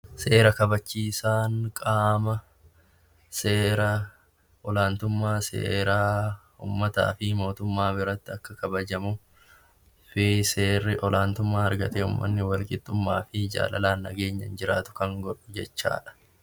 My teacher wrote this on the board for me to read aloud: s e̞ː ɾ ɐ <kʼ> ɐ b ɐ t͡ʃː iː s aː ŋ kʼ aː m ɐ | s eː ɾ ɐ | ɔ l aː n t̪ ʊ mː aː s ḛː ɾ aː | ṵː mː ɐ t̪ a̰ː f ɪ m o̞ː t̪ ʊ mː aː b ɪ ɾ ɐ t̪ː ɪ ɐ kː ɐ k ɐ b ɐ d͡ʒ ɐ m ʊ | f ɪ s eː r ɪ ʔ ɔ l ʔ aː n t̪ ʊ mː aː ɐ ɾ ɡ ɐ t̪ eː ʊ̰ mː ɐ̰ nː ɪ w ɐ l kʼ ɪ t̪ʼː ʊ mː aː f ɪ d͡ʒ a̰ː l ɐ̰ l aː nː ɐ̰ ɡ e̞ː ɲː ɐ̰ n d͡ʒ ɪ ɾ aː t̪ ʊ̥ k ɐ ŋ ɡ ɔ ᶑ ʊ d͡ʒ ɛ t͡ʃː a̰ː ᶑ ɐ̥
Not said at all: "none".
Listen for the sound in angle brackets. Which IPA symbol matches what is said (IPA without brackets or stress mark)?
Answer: k